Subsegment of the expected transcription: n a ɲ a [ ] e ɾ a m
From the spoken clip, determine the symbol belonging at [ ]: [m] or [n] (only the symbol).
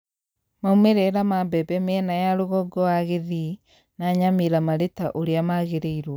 m